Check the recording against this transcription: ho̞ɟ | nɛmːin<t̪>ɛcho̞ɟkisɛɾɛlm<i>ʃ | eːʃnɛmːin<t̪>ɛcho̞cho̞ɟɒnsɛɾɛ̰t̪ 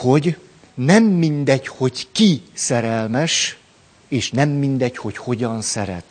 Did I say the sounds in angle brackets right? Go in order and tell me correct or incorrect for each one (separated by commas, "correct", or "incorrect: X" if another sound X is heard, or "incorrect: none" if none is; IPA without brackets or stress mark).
incorrect: d̪, incorrect: ɛ, incorrect: d̪